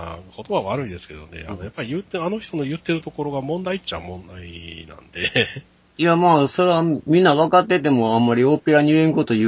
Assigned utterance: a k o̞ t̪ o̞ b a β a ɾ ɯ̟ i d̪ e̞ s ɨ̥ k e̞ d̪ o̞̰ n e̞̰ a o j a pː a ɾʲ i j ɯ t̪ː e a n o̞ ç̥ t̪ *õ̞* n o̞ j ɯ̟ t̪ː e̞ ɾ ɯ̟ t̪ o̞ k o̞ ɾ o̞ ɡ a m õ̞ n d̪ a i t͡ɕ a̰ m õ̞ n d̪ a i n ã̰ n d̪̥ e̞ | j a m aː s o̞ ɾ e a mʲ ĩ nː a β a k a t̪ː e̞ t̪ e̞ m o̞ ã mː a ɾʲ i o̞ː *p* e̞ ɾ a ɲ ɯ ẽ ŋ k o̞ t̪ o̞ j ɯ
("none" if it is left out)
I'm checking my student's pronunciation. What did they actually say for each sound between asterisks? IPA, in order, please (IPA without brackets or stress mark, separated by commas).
o̞, p